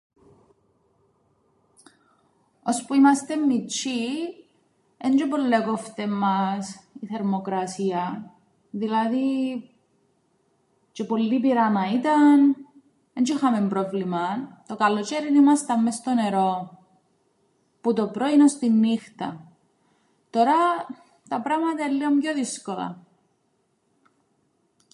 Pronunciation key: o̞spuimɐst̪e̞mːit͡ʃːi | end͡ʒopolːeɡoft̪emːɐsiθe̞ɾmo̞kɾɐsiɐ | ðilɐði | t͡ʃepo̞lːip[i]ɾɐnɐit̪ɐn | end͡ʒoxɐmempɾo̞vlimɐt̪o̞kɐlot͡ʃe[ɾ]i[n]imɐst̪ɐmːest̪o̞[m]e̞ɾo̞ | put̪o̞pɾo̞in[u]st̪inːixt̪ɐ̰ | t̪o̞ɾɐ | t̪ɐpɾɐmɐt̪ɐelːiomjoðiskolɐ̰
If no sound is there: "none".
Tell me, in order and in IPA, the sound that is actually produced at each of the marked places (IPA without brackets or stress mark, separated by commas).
i, ɾ, n, n, o